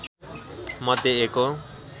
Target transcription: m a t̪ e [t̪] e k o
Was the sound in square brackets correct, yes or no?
no